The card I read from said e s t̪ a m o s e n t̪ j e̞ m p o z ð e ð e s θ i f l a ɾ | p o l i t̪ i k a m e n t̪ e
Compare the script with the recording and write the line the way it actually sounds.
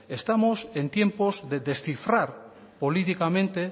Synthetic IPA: e s t̪ a m o s e n t̪ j e̞ m p o z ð e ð e s θ i f ɾ a ɾ | p o l i t̪ i k a m ẽ n t̪ e